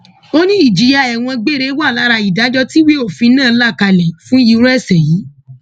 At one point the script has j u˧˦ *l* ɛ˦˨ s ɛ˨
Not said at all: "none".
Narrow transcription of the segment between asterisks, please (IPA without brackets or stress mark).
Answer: ɾ